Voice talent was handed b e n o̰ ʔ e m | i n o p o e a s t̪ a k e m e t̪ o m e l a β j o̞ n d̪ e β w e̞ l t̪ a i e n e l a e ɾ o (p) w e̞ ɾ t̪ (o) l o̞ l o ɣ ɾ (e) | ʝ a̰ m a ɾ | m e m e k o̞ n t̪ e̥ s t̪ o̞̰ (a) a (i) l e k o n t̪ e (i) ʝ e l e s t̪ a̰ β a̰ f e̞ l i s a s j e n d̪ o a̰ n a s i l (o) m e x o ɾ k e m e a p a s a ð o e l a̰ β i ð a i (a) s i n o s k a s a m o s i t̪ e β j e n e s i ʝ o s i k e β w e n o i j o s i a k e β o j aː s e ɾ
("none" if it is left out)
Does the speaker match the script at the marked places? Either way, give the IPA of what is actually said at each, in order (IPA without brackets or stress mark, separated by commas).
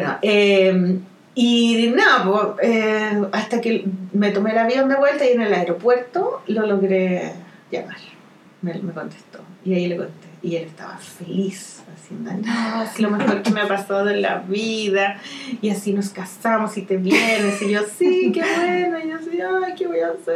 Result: p, o, e, i, i, i, o, a